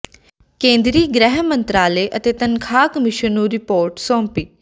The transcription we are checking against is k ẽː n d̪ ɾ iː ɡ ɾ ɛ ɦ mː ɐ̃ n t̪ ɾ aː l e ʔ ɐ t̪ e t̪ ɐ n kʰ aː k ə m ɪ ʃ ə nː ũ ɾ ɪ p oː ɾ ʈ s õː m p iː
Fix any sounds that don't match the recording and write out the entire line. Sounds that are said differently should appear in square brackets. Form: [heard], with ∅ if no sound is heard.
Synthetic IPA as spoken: k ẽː n d̪ ɾ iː ɡ ɾ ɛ ɦ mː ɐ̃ n t̪ ɾ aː l e ʔ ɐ t̪ e t̪ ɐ n kʰ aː k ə m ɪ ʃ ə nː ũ ɾ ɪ p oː ɾ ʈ s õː m p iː

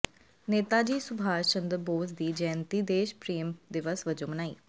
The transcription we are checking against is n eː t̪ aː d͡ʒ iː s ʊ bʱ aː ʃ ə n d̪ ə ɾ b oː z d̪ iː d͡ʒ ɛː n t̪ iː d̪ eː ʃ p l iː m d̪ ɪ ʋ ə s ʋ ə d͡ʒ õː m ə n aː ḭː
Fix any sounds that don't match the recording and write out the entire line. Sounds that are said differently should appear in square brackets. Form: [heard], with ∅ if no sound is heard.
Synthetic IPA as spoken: n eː t̪ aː d͡ʒ iː s ʊ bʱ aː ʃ ə n d̪ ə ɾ b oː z d̪ iː d͡ʒ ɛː n t̪ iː d̪ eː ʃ p [ɾ] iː m d̪ ɪ ʋ ə s ʋ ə d͡ʒ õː m ə n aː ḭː

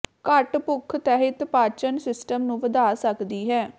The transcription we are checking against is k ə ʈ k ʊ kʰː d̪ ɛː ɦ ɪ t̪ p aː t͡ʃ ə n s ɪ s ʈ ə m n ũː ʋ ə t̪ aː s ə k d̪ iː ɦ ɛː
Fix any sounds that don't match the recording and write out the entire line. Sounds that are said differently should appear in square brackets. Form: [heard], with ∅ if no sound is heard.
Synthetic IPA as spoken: k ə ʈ [p] ʊ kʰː [t̪] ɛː ɦ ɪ t̪ p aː t͡ʃ ə n s ɪ s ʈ ə m n ũː ʋ ə [d̪] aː s ə k d̪ iː ɦ ɛː

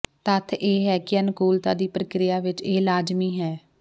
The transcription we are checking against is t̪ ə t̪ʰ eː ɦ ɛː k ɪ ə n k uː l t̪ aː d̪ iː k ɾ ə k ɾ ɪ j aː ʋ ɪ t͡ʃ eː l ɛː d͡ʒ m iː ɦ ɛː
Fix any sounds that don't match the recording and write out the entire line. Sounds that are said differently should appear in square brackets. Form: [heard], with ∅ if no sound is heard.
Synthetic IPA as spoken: t̪ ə t̪ʰ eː ɦ ɛː k ɪ ə n k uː l t̪ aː d̪ iː [p] ɾ ə k ɾ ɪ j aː ʋ ɪ t͡ʃ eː l [aː] d͡ʒ m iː ɦ ɛː

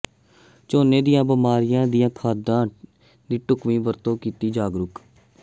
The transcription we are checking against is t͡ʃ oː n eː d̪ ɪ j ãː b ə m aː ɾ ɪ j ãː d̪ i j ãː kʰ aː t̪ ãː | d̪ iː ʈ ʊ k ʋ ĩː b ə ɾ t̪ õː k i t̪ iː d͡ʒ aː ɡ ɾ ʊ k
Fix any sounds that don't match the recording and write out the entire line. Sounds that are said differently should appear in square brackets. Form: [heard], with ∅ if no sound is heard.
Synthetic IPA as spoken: t͡ʃ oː n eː d̪ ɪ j ãː b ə m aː ɾ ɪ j ãː d̪ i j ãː kʰ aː [d̪] ãː | d̪ iː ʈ ʊ k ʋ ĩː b ə ɾ t̪ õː k [iː] t̪ iː d͡ʒ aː ɡ ɾ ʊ k

